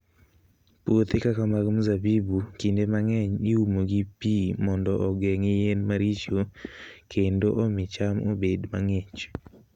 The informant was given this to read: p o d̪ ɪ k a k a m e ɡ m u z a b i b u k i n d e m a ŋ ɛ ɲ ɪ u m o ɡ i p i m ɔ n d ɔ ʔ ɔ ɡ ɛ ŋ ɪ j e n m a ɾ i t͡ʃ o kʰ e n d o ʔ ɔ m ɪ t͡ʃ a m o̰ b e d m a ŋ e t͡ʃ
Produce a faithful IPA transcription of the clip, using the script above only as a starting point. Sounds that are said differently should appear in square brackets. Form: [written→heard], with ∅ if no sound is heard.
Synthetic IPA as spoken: p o [d̪→t̪] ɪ k a k a m [e→a] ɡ m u z a b i b u k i n d e m a ŋ ɛ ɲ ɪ u m o ɡ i p i m ɔ n d ɔ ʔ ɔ ɡ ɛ ŋ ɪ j e n m a ɾ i t͡ʃ o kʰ e n d o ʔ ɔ m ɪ t͡ʃ a m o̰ b e d m a ŋ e t͡ʃ